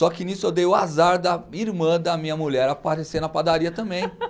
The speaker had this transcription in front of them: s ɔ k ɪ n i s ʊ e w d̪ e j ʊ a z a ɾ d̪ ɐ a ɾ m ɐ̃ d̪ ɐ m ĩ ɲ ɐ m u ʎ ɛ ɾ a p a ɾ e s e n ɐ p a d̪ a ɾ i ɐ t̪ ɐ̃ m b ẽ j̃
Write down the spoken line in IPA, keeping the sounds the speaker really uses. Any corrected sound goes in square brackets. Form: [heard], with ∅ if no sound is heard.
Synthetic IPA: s ɔ k ɪ n i s ʊ e w d̪ e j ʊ a z a ɾ d̪ ɐ [i] ɾ m ɐ̃ d̪ ɐ m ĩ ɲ ɐ m u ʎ ɛ ɾ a p a ɾ e s e n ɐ p a d̪ a ɾ i ɐ t̪ ɐ̃ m b ẽ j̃